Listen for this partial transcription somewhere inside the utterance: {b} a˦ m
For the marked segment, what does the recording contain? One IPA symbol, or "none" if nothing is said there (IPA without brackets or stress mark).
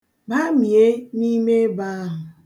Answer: b